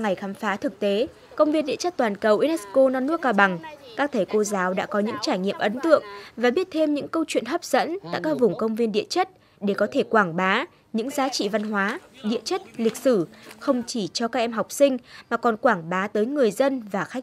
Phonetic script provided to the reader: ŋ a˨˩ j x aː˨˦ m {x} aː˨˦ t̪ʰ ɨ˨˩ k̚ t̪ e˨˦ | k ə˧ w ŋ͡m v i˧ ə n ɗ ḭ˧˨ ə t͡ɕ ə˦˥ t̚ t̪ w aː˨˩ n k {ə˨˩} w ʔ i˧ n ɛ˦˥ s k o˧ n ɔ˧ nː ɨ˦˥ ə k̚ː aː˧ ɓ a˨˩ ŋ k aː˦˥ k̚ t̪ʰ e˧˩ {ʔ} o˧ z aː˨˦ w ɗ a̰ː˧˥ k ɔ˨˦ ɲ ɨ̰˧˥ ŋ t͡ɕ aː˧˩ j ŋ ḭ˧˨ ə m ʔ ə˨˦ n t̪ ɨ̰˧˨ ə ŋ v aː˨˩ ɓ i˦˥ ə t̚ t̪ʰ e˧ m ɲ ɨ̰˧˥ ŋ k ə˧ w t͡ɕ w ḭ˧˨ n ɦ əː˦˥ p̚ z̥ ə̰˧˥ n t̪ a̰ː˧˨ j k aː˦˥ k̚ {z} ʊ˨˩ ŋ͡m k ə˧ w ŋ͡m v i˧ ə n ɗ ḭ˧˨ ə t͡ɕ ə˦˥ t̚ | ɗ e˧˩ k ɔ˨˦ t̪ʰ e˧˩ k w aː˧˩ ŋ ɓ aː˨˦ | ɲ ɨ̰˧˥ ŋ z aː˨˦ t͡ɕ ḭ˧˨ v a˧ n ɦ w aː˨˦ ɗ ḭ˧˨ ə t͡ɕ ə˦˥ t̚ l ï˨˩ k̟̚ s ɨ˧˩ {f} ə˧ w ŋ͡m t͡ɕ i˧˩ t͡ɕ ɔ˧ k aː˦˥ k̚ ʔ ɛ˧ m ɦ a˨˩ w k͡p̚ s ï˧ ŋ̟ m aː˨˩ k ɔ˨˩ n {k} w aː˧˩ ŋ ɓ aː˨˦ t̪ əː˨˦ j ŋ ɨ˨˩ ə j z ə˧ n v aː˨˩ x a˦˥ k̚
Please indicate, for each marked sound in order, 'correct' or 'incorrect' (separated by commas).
incorrect, correct, incorrect, incorrect, incorrect, correct